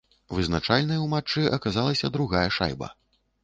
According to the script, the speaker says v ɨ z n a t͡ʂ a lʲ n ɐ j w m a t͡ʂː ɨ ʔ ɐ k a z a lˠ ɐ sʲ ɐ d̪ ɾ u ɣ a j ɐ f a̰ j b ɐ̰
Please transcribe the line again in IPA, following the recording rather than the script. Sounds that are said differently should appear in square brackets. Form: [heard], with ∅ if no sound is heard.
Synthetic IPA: v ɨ z n a t͡ʂ a lʲ n ɐ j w m a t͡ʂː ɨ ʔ ɐ k a z a lˠ ɐ sʲ ɐ d̪ ɾ u ɣ a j ɐ [ʂ] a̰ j b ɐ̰